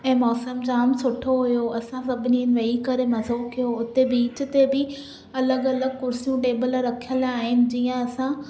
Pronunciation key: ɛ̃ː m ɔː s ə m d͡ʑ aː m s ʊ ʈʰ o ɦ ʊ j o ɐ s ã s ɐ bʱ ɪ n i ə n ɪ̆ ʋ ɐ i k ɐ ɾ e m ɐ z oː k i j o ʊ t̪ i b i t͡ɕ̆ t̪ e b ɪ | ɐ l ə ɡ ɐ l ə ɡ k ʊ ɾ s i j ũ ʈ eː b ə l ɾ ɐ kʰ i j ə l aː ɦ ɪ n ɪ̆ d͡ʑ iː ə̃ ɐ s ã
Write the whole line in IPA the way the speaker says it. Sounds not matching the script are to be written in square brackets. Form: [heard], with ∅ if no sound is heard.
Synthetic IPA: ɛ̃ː m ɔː s ə m d͡ʑ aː m s ʊ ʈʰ o ɦ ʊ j o ɐ s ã s ɐ bʱ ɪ n i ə n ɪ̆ ʋ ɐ i k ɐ ɾ e m ɐ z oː k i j o ʊ t̪ [e] b [iː] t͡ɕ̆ t̪ e b ɪ | ɐ l ə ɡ ɐ l ə ɡ k ʊ ɾ s i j ũ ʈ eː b ə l ɾ ɐ kʰ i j ə l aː ɦ ɪ n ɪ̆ d͡ʑ iː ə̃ ɐ s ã

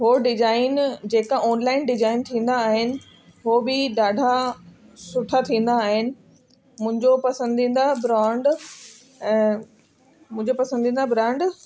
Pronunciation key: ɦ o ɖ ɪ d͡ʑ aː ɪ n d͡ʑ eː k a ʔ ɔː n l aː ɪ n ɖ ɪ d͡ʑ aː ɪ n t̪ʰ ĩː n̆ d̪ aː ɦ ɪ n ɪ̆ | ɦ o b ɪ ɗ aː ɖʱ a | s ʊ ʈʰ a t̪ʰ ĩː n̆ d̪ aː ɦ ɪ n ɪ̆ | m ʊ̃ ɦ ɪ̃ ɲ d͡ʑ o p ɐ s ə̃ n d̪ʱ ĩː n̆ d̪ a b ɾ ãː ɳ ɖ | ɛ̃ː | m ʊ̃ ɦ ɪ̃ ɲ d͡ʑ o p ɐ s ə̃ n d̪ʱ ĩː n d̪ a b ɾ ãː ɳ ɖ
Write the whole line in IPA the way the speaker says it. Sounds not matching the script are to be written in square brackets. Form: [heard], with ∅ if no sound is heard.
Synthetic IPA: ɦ o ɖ ɪ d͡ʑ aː ɪ n d͡ʑ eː k a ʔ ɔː n l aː ɪ n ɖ ɪ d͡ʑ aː ɪ n t̪ʰ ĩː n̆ d̪ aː ɦ ɪ n ɪ̆ | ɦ o b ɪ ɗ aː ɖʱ a | s ʊ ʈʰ a t̪ʰ ĩː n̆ d̪ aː ɦ ɪ n ɪ̆ | m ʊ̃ ɦ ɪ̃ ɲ d͡ʑ o p ɐ s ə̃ n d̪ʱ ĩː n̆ d̪ a b ɾ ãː ɳ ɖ | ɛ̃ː | m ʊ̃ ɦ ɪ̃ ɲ d͡ʑ o p ɐ s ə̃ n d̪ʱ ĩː n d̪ a b ɾ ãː ɳ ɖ

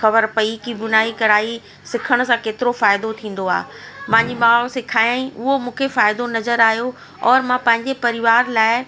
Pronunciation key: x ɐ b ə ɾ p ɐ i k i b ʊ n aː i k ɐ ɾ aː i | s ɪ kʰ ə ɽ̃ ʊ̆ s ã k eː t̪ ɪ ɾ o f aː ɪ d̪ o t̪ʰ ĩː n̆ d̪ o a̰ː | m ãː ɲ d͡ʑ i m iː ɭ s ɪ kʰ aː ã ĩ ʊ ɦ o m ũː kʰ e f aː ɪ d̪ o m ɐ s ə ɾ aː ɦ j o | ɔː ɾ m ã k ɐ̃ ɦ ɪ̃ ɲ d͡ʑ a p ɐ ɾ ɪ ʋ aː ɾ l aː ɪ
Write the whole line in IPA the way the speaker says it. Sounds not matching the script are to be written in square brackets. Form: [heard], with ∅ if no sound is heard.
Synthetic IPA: x ɐ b ə ɾ p ɐ i k i b ʊ n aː i k ɐ ɾ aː i | s ɪ kʰ ə ɽ̃ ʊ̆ s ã k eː t̪ ɪ ɾ o f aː ɪ d̪ o t̪ʰ ĩː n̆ d̪ o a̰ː | m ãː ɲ d͡ʑ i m [aː] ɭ s ɪ kʰ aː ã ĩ ʊ ɦ o m ũː kʰ e f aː ɪ d̪ o [n] ɐ [z] ə ɾ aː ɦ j o | ɔː ɾ m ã [p] ɐ̃ ɦ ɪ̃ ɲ d͡ʑ [e] p ɐ ɾ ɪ ʋ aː ɾ l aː ɪ

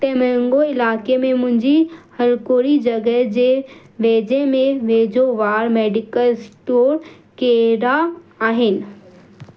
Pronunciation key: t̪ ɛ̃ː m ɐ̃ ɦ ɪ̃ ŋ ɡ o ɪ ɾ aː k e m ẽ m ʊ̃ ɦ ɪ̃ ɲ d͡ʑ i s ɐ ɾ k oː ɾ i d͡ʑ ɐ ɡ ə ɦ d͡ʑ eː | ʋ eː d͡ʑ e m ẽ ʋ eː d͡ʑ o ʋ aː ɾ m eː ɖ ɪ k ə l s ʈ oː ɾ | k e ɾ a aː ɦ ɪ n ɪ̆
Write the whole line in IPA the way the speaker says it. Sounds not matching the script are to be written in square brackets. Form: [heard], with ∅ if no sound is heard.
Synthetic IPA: t̪ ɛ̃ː m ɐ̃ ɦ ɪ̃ ŋ ɡ o ɪ [l] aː k e m ẽ m ʊ̃ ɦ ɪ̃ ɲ d͡ʑ i [h] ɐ ɾ k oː ɾ i d͡ʑ ɐ ɡ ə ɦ d͡ʑ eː | ʋ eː d͡ʑ e m ẽ ʋ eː d͡ʑ o ʋ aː ɾ m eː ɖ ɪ k ə l s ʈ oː ɾ | k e ɾ a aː ɦ ɪ n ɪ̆

